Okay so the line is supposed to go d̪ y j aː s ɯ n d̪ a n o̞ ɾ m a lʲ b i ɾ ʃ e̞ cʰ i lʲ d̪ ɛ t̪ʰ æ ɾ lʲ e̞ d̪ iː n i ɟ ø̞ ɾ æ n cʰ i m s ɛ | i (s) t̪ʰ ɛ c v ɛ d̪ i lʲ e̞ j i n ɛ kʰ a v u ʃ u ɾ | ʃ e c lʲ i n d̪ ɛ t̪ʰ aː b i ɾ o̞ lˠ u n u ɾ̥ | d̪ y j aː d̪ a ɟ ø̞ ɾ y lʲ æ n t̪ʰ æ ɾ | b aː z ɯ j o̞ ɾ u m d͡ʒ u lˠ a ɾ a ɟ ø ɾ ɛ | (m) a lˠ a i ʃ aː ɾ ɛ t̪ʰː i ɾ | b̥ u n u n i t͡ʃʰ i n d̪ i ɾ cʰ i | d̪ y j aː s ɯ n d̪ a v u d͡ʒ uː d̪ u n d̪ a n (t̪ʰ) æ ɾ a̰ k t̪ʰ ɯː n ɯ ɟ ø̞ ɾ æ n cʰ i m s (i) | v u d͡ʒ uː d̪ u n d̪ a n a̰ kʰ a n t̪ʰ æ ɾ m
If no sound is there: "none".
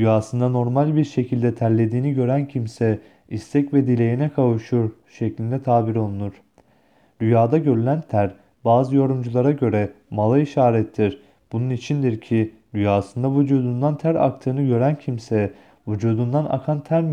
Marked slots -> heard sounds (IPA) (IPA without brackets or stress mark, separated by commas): s, m, t̪ʰ, ɛ